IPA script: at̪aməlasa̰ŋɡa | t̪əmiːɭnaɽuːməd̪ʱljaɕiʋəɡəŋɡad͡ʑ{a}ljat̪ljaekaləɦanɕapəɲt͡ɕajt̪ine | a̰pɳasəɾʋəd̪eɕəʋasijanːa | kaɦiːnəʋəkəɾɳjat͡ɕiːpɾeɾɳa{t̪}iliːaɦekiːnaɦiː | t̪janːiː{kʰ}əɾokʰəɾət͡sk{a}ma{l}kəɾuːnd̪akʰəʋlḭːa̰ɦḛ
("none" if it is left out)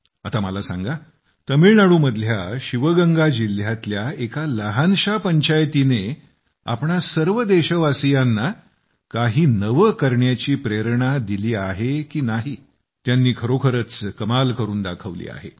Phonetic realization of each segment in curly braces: i, d̪, kʰ, ə, l

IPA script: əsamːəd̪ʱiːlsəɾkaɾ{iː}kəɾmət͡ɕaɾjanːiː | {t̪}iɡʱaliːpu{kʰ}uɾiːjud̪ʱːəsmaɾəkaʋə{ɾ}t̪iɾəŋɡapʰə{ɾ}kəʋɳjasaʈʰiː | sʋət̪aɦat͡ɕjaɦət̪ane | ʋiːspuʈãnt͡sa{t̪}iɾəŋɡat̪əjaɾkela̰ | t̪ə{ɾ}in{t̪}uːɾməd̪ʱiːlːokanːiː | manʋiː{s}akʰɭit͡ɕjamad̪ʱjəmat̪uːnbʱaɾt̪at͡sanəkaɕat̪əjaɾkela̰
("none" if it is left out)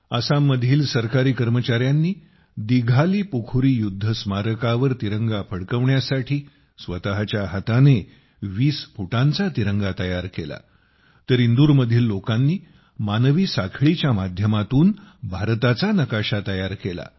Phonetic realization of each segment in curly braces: iː, d̪, kʰ, ɾ, ɽ, t̪, ɾ, d̪, s

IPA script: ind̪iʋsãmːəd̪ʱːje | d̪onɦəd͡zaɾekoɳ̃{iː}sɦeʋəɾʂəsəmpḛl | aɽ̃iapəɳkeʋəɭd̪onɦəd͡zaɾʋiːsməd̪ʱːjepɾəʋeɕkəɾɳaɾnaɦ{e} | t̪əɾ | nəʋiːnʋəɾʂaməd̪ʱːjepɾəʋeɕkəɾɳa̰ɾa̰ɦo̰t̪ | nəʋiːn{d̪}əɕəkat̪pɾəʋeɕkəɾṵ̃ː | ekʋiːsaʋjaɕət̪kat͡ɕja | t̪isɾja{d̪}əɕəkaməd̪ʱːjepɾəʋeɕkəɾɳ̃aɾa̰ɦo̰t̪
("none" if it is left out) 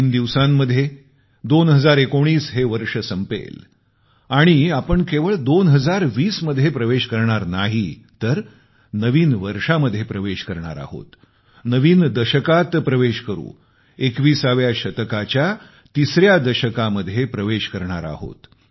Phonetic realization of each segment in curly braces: iː, i, d̪, d̪

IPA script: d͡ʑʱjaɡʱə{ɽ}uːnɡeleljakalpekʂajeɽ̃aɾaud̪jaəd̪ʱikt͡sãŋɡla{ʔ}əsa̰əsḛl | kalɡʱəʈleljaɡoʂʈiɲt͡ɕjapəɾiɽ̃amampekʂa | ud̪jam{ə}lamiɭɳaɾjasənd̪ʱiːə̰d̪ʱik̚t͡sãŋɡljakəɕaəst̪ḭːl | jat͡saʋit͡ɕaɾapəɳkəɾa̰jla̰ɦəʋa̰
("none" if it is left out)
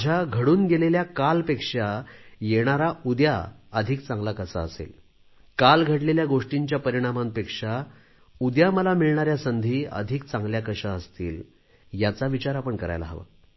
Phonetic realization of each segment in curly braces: ɽ, k, ə

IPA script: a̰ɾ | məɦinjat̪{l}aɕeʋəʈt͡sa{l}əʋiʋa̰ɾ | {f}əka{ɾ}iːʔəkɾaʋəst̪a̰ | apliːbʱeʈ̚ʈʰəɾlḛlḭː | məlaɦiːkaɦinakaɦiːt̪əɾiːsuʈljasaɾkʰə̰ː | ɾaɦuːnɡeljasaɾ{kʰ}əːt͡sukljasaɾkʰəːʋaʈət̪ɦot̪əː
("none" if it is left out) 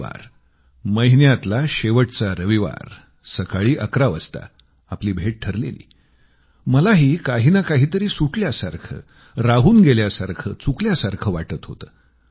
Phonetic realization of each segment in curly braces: l, ɾ, s, ɭ, kʰ

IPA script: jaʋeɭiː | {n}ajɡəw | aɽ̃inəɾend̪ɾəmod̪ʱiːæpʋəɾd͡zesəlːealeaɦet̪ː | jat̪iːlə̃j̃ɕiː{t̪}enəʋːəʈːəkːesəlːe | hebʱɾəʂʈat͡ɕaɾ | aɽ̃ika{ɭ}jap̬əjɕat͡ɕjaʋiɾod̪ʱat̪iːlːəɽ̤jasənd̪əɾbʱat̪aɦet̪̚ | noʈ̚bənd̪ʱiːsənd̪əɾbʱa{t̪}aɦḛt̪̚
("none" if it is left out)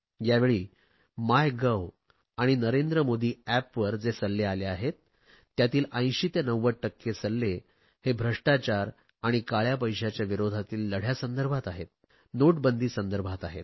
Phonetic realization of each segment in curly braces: m, t̪, ɭ, t̪

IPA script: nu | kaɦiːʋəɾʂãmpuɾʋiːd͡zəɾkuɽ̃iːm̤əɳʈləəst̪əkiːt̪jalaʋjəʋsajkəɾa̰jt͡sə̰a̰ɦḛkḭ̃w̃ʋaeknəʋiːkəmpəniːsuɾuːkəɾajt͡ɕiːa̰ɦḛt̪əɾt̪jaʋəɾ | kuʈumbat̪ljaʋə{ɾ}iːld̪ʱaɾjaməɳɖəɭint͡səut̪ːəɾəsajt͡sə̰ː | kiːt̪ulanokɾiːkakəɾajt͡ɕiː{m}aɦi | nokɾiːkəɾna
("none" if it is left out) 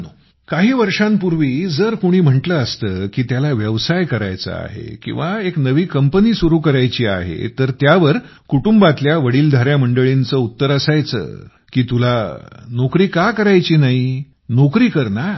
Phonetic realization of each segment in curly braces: ɽ, n

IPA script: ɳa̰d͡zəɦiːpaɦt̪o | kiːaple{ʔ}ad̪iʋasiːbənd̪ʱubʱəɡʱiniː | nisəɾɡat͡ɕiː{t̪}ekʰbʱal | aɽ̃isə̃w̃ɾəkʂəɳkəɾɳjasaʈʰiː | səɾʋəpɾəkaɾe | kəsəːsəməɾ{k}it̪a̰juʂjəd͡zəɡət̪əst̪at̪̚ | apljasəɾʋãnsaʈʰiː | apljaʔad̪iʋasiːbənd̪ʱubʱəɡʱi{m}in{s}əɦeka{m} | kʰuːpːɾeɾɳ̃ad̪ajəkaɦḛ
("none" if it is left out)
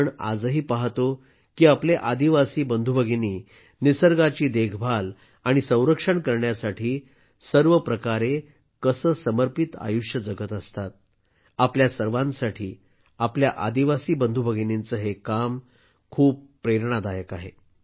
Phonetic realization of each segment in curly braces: ʔ, d̪, p, n, t͡s, m

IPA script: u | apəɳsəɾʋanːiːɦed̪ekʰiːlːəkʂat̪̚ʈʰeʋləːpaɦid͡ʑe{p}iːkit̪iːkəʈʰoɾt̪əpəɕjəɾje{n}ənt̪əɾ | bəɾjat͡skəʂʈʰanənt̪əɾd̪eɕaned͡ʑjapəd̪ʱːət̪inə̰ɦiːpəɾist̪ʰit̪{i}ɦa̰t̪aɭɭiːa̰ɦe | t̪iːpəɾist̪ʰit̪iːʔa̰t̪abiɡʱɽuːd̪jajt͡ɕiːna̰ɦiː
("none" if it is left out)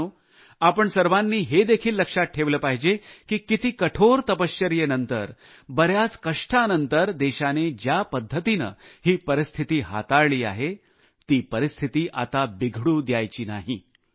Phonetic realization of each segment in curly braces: k, n, iː

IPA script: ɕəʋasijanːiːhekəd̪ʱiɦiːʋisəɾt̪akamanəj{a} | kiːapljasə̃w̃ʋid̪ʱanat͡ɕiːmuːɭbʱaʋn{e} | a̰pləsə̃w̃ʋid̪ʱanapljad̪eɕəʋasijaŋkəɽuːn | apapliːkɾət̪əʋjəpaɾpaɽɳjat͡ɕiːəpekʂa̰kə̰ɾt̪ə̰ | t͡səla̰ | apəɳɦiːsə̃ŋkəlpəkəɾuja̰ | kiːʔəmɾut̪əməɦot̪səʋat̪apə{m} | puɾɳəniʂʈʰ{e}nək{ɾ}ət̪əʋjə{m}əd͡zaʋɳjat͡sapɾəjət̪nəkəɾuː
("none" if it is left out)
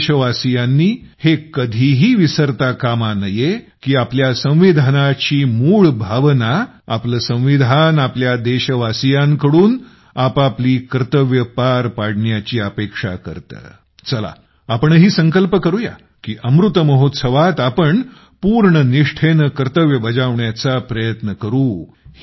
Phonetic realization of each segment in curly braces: e, a, ɳ, e, ɾ, b

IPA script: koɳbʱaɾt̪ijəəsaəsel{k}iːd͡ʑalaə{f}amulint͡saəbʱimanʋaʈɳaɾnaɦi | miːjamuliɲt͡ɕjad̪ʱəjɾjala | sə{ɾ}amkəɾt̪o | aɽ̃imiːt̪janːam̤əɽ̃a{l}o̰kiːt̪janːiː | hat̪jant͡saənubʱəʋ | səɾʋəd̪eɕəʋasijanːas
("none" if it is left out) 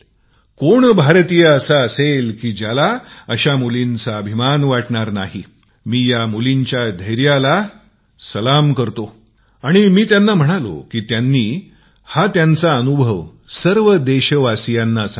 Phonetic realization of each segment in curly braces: k, ɕ, l, l

